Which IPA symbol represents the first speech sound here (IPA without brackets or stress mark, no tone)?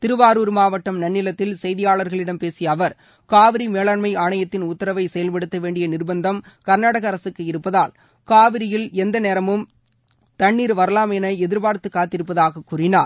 t̪